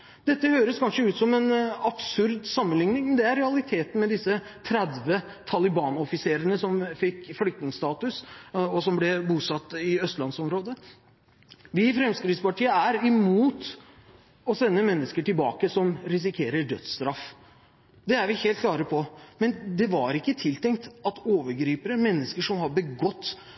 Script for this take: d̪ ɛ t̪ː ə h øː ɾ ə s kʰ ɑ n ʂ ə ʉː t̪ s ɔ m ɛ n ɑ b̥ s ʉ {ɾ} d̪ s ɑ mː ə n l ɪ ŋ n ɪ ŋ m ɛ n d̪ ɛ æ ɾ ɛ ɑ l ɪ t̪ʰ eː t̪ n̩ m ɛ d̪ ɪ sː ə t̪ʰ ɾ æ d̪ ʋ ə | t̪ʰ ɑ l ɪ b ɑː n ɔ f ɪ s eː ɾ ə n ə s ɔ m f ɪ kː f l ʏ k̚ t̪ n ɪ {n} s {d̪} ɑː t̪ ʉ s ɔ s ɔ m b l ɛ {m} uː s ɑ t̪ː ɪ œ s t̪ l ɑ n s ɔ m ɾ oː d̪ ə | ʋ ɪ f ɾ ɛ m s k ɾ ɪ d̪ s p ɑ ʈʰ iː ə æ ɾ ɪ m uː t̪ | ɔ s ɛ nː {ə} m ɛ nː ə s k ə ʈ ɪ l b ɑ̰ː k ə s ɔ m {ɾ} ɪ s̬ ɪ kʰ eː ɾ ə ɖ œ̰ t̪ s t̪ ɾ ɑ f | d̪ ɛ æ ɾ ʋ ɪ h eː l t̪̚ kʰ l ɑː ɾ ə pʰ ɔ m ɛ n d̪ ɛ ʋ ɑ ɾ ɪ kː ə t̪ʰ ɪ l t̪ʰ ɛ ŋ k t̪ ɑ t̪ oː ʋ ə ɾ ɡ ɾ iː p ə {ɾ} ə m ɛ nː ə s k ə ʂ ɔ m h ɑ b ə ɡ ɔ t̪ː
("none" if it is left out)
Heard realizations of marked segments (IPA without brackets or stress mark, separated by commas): ɾ, ŋ, t̪, b, ə, ɾ, ɾ